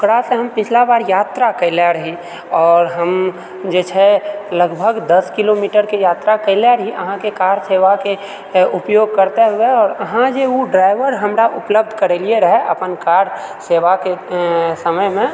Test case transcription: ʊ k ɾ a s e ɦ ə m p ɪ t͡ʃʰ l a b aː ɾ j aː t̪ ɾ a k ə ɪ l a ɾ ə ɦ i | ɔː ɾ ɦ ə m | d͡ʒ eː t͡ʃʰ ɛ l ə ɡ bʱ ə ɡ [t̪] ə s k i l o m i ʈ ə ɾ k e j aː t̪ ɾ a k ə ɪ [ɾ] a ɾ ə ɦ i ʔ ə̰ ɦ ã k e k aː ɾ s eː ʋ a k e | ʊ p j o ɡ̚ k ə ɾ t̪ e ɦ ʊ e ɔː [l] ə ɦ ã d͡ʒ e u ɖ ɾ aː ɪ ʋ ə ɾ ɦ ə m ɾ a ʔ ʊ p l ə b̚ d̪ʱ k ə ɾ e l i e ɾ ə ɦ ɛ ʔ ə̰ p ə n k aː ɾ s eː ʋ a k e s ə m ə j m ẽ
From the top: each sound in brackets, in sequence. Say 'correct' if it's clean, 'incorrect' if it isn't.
incorrect: d̪, incorrect: l, incorrect: ɾ

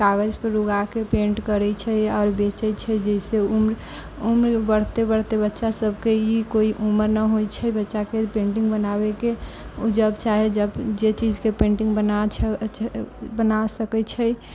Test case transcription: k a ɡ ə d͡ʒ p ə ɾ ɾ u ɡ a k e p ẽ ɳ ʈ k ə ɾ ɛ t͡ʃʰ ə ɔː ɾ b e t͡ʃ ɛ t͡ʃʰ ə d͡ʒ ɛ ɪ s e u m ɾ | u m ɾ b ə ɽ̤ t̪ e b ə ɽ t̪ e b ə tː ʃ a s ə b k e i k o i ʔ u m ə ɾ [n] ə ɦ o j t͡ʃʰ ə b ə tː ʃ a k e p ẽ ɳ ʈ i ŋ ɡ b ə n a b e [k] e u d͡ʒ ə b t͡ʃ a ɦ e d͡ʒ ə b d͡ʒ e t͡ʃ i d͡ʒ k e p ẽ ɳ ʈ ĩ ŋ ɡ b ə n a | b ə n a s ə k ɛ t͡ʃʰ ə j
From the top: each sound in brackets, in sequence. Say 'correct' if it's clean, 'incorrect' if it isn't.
correct, correct

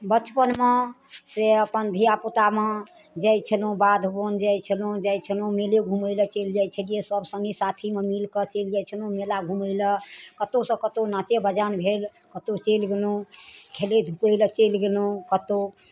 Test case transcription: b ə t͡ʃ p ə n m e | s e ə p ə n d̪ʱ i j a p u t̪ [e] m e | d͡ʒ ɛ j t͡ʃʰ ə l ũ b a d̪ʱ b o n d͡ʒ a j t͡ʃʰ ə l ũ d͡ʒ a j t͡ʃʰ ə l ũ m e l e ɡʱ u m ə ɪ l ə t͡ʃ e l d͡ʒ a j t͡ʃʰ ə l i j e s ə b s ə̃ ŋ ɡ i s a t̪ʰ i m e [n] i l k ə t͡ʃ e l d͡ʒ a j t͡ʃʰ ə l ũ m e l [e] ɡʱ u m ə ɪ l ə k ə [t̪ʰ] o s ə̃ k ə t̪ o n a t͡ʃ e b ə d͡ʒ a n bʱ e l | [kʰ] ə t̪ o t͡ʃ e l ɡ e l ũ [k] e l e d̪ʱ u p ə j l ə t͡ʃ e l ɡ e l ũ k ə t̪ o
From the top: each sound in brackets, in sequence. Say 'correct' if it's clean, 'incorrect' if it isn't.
incorrect: a, incorrect: m, incorrect: a, incorrect: t̪, incorrect: k, incorrect: kʰ

